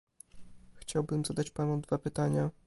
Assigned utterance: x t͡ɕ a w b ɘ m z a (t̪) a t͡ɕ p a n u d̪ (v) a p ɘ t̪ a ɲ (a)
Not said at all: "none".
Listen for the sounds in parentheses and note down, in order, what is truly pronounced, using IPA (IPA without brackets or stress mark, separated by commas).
d̪, v, a